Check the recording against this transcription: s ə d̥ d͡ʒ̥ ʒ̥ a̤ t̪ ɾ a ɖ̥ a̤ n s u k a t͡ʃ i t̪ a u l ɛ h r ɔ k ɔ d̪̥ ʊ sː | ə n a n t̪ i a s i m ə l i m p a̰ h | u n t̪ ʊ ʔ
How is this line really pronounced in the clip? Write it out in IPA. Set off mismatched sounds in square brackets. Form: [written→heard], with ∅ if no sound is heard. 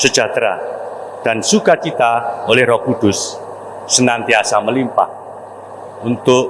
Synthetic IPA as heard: s ə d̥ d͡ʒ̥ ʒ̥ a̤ t̪ ɾ a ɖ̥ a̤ n s u k a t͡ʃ i t̪ a [u→o] l ɛ h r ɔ k [ɔ→u] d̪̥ ʊ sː | ə n a n t̪ i a s [i→a] m ə l i m p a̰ h | u n t̪ ʊ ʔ